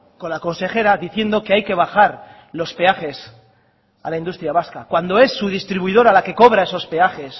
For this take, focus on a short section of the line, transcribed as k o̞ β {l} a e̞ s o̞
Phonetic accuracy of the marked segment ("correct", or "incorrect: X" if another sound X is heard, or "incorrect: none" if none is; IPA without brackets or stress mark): incorrect: ɾ